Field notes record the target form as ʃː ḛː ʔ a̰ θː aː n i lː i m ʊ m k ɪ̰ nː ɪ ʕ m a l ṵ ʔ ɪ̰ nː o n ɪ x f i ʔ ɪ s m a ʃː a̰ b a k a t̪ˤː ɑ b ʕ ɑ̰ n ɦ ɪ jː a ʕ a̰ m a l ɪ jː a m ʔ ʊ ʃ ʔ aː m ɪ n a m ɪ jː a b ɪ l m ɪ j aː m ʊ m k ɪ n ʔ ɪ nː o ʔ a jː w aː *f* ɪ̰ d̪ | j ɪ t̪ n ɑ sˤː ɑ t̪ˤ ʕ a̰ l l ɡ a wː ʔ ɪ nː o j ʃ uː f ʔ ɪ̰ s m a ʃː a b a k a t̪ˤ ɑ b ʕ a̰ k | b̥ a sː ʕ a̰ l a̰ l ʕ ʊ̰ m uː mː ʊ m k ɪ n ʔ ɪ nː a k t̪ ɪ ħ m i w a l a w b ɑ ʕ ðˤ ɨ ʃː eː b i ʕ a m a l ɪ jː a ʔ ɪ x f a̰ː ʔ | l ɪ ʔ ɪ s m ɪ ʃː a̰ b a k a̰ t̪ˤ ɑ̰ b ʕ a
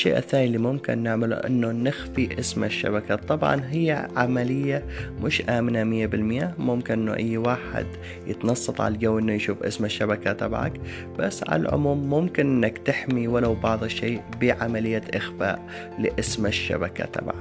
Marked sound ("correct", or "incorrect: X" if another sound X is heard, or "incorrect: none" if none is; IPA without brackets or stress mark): incorrect: ħ